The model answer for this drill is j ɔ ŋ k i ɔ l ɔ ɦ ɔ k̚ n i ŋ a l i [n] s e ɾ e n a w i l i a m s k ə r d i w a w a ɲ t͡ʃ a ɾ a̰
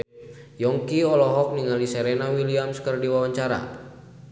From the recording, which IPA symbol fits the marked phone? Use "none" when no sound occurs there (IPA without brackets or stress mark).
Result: none